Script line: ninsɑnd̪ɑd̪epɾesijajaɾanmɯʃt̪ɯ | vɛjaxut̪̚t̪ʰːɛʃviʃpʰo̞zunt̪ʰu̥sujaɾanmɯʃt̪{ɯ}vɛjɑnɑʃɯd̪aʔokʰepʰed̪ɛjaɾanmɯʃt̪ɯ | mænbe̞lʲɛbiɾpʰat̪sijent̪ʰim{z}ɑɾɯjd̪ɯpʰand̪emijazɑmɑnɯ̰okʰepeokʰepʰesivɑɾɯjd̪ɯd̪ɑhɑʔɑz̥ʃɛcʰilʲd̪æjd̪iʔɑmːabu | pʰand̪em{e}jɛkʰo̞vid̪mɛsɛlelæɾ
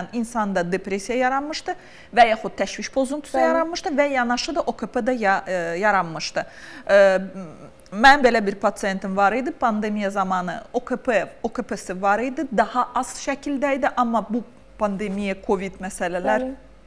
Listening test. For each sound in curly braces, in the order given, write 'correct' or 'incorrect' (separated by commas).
correct, incorrect, incorrect